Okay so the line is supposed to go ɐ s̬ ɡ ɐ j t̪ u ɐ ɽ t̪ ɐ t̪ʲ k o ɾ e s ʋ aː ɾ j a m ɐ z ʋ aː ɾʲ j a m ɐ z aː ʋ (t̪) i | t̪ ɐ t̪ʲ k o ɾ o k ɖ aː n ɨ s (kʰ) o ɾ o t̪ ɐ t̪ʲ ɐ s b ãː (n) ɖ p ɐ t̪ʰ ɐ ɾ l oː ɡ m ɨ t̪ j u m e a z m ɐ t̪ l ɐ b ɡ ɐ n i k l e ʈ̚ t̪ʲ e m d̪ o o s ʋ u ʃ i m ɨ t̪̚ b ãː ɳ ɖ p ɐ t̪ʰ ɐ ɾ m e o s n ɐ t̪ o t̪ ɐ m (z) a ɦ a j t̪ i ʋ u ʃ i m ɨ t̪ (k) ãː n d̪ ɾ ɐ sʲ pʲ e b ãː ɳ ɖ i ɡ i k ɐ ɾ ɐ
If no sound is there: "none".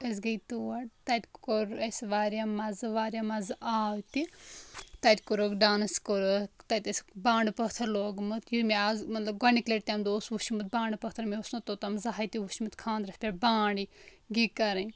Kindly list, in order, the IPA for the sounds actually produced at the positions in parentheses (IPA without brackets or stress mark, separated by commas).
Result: t̪, k, ɳ, z, kʰ